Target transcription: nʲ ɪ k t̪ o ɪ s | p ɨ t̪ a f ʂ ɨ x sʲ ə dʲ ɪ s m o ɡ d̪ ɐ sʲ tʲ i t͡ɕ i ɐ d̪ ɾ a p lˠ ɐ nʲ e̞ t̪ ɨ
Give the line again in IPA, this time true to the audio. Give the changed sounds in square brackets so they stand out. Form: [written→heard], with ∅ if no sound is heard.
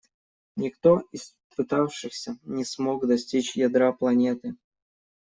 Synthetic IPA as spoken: nʲ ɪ k t̪ o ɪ s | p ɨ t̪ a f ʂ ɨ x sʲ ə [dʲ→nʲ] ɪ s m o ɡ d̪ ɐ sʲ tʲ i t͡ɕ [i→j] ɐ d̪ ɾ a p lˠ ɐ nʲ e̞ t̪ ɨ